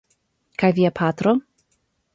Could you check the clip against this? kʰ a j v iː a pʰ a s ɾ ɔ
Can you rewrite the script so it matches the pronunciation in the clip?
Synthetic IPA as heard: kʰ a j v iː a pʰ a t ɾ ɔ